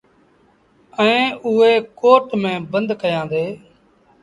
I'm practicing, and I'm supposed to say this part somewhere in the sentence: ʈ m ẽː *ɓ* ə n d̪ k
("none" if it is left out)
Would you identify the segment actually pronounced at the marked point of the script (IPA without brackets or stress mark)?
b